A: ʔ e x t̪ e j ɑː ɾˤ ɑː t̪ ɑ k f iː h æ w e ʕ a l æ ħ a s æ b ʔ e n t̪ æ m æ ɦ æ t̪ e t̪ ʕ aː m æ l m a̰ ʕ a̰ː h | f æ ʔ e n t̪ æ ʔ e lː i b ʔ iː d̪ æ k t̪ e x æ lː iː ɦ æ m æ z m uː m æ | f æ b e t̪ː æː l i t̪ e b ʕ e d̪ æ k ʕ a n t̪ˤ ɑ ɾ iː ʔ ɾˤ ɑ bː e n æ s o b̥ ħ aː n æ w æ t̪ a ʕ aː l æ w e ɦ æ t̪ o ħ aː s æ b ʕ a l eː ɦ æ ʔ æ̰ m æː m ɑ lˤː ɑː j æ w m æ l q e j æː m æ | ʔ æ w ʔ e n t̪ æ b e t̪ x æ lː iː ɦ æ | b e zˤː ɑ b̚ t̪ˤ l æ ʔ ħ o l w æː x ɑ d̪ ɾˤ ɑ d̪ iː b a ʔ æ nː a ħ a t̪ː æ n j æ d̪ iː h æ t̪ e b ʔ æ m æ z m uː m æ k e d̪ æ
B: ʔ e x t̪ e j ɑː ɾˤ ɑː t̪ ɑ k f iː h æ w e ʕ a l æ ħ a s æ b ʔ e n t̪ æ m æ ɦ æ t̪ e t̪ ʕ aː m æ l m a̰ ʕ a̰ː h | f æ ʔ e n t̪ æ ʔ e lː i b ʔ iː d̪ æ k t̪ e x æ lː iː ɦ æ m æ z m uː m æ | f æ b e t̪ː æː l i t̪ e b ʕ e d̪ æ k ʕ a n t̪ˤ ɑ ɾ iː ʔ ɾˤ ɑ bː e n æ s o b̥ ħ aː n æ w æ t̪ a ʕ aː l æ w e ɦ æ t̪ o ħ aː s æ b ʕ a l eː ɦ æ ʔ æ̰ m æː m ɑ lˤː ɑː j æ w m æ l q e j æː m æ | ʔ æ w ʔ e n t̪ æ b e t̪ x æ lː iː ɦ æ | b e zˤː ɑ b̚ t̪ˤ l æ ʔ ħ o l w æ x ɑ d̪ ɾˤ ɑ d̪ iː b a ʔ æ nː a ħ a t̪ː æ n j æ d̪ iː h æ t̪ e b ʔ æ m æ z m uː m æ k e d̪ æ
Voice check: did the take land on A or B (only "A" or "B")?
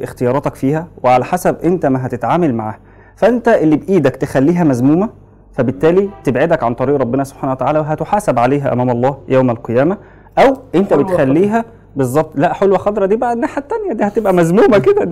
B